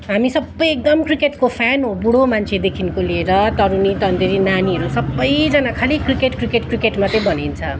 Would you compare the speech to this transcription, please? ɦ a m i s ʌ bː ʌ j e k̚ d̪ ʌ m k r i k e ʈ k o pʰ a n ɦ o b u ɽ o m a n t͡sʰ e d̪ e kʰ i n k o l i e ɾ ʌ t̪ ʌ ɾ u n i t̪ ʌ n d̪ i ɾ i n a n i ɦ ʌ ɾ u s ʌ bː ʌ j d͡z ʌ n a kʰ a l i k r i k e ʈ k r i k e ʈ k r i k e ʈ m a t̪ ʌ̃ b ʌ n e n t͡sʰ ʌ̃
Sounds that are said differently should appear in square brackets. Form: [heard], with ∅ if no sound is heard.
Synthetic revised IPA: ɦ a m i s ʌ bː ʌ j e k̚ d̪ ʌ m k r i k e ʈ k o pʰ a n ɦ o b u ɽ o m a n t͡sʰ e d̪ e kʰ i n k o l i e ɾ ʌ t̪ ʌ ɾ u n i t̪ ʌ n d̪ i ɾ i n a n i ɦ ʌ ɾ u s ʌ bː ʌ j d͡z ʌ n a kʰ a l i k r i k e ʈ k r i k e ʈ k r i k e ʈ m a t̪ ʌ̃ b ʌ n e n t͡sʰ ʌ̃

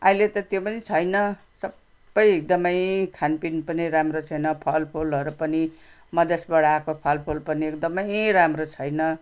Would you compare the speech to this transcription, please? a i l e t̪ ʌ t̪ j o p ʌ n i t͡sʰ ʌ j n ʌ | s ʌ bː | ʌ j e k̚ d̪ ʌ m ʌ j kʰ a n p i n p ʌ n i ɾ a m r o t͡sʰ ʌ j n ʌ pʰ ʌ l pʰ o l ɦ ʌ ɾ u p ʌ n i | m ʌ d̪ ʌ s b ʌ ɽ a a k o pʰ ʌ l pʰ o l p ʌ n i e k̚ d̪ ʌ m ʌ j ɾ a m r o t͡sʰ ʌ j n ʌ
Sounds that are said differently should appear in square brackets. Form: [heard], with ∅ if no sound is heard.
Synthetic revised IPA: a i l e t̪ ʌ t̪ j o p ʌ n i t͡sʰ ʌ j n ʌ | s ʌ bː | ʌ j e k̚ d̪ ʌ m ʌ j kʰ a n p i n p ʌ n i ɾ a m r o t͡sʰ ʌ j n ʌ pʰ ʌ l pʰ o l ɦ ʌ ɾ u p ʌ n i | m ʌ d̪ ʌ s b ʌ ɽ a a k o pʰ ʌ l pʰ o l p ʌ n i e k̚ d̪ ʌ m ʌ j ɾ a m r o t͡sʰ ʌ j n ʌ

